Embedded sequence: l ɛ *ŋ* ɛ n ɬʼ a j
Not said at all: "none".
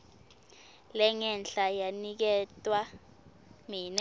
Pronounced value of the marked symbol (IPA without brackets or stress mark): ŋ